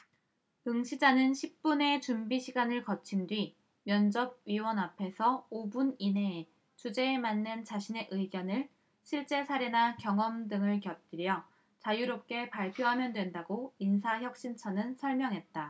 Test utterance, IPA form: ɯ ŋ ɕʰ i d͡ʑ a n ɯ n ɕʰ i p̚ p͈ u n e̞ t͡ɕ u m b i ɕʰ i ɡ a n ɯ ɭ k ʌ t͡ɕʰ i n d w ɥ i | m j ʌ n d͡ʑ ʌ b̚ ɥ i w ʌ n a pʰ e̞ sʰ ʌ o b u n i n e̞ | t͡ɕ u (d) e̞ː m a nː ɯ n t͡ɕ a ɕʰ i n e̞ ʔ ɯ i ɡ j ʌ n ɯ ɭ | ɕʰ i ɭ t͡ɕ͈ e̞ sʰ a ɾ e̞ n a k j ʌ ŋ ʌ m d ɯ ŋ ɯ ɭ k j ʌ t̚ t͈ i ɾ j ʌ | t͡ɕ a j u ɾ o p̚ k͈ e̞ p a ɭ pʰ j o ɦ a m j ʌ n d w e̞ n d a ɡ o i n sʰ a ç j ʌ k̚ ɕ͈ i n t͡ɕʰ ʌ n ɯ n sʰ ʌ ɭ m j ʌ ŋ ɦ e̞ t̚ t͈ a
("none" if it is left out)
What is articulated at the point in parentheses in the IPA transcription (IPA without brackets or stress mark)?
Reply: d͡ʑ